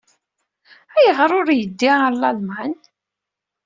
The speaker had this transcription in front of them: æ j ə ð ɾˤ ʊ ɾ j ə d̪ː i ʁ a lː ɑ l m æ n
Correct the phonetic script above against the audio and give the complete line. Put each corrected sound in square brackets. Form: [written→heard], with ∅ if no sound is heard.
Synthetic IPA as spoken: æ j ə [ð→ʁ] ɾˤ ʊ ɾ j ə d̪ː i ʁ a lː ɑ l m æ n